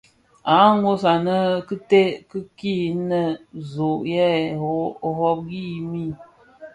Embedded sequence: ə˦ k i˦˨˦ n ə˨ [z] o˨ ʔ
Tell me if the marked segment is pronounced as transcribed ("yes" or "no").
yes